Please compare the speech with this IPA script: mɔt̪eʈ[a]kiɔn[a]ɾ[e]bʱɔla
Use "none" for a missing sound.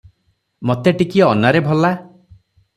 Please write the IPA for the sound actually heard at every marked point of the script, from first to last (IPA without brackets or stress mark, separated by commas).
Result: i, a, e